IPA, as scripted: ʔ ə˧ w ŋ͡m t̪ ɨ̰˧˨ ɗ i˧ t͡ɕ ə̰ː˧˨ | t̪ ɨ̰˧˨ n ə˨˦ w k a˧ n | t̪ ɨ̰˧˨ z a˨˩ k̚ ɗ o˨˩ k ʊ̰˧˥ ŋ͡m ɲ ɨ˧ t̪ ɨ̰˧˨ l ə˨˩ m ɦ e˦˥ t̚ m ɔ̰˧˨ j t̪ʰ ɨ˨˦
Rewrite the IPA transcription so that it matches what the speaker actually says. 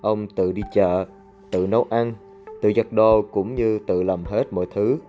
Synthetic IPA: ʔ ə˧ w ŋ͡m t̪ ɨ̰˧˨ ɗ i˧ t͡ɕ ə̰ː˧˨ | t̪ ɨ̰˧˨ n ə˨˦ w ʔ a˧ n | t̪ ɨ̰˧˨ z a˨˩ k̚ ɗ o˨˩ k ʊ̰˧˥ ŋ͡m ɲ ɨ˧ t̪ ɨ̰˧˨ l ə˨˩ m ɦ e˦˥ t̚ m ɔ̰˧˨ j t̪ʰ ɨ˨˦